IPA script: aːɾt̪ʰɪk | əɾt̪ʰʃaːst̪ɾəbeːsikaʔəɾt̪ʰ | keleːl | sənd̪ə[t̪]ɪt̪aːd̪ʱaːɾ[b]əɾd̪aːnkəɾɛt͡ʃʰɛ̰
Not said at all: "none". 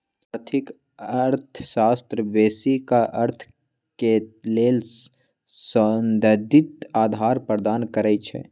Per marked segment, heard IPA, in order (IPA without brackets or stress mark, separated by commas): d̪, p